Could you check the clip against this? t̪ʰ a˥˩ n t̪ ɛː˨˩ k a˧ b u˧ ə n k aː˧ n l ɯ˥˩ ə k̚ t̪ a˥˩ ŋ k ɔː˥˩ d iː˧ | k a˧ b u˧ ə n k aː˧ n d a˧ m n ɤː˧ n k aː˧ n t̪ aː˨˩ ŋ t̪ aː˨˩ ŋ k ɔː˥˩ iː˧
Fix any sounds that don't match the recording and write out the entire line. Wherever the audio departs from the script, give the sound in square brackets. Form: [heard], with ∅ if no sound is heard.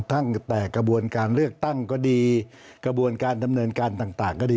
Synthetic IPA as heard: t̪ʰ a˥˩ [ŋ] t̪ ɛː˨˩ k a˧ b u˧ ə n k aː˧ n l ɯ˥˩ ə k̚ t̪ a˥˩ ŋ k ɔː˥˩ d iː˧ | k a˧ b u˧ ə n k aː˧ n d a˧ m n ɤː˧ n k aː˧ n t̪ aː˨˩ ŋ t̪ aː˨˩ ŋ k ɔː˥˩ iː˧